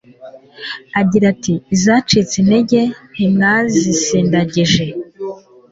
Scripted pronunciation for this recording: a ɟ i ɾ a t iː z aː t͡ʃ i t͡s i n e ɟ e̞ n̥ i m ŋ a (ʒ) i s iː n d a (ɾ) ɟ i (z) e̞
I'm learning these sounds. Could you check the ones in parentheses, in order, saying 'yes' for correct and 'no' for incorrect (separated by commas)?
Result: no, no, no